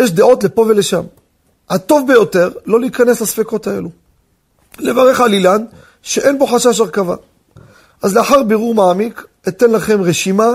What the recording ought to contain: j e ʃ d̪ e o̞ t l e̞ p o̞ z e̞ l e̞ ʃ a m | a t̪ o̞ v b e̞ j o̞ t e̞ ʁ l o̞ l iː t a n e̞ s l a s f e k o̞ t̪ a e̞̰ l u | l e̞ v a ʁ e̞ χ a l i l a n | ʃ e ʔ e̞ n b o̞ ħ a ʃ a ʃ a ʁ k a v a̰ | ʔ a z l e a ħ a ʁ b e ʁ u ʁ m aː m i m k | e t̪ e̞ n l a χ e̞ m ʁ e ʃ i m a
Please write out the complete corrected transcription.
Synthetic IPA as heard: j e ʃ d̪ e o̞ t l e̞ p o̞ v e̞ l e̞ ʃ a m | a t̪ o̞ v b e̞ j o̞ t e̞ ʁ l o̞ l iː k a n e̞ s l a s f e k o̞ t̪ a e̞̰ l u | l e̞ v a ʁ e̞ χ a l i l a n | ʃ e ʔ e̞ n b o̞ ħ a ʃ a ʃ a ʁ k a v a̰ | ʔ a z l e a ħ a ʁ b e ʁ u ʁ m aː m i k | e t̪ e̞ n l a χ e̞ m ʁ e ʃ i m a